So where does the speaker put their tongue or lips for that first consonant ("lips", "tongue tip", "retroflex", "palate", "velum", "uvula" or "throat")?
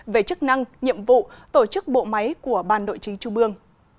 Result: lips